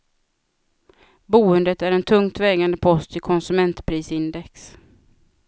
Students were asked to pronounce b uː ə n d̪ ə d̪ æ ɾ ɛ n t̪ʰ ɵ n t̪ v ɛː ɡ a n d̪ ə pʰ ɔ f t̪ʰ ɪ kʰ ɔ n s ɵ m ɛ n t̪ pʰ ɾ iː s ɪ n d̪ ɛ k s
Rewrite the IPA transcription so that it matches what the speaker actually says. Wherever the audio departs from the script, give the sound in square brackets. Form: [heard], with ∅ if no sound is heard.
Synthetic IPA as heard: b uː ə n d̪ ə [t̪] æ ɾ ɛ n t̪ʰ ɵ [ŋ] t̪ v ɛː ɡ a n d̪ ə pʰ ɔ [s] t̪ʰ ɪ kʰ ɔ n s ɵ m ɛ n t̪ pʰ ɾ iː s ɪ n d̪ ɛ k s